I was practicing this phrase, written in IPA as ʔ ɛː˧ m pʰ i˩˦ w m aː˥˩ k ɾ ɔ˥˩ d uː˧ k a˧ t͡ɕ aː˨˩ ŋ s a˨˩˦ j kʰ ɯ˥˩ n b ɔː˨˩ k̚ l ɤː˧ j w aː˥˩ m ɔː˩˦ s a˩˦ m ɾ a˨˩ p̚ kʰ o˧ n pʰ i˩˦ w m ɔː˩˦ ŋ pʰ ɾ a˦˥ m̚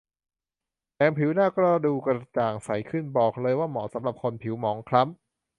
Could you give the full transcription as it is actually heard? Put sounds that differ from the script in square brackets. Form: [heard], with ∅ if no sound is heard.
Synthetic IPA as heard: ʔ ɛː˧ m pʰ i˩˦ w [n] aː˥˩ k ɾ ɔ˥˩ d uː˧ k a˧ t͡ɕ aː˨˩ ŋ s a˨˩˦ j kʰ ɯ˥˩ n b ɔː˨˩ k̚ l ɤː˧ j w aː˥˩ m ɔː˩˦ s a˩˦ m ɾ a˨˩ p̚ kʰ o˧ n pʰ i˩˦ w m ɔː˩˦ ŋ [kʰ] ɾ a˦˥ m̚